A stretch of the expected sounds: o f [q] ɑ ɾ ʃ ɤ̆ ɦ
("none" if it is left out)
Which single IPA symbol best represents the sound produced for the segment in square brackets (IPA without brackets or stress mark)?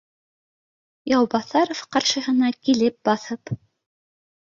q